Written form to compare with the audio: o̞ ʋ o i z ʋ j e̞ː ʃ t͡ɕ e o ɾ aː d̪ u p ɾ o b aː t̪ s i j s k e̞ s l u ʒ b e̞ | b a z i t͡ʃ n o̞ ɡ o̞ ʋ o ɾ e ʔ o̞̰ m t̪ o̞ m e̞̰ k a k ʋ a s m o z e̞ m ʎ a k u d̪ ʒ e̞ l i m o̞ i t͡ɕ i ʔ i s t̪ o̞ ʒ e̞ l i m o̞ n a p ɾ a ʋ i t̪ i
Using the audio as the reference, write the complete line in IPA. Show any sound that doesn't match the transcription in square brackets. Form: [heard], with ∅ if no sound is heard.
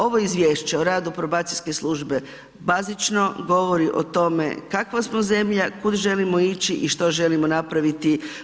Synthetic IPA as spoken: o̞ ʋ o i z ʋ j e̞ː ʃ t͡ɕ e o ɾ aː d̪ u p ɾ o b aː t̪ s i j s k e̞ s l u ʒ b e̞ | b a z i t͡ʃ n o̞ ɡ o̞ ʋ o ɾ [i] ʔ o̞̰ [∅] t̪ o̞ m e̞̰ k a k ʋ a s m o z e̞ m ʎ a k u d̪ ʒ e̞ l i m o̞ i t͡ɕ i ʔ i [ʃ] t̪ o̞ ʒ e̞ l i m o̞ n a p ɾ a ʋ i t̪ i